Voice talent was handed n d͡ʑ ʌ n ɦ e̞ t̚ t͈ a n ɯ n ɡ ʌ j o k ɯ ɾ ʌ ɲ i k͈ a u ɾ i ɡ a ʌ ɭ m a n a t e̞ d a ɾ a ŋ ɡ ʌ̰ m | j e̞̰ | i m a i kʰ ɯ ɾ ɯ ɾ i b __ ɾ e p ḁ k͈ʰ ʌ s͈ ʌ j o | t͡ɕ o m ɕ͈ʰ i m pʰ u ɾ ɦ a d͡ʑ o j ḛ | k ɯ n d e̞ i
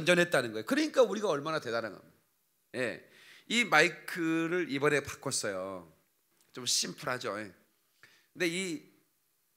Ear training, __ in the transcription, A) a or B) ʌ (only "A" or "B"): B